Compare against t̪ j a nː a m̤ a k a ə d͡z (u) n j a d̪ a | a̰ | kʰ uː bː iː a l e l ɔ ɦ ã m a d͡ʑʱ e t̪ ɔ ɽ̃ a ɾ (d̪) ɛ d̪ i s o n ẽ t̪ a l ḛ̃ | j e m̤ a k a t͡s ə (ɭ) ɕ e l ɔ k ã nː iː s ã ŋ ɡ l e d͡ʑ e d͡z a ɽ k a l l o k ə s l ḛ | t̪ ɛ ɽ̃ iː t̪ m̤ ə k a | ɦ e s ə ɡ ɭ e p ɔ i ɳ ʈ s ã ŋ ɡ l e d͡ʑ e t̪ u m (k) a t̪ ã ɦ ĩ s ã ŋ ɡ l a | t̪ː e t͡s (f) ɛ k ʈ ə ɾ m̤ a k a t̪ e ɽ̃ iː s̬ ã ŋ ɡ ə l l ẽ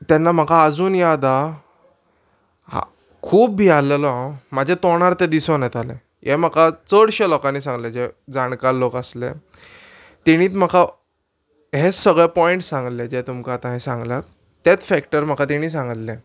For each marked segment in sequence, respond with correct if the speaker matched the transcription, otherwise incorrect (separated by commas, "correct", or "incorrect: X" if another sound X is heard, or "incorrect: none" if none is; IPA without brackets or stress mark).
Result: incorrect: uː, incorrect: t̪, incorrect: ɽ, correct, correct